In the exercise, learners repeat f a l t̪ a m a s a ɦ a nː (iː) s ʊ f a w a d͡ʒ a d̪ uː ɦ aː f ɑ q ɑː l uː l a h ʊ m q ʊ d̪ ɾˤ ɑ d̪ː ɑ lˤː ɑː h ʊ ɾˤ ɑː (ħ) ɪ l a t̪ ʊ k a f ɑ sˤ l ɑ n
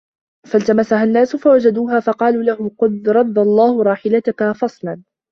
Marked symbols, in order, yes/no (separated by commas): no, yes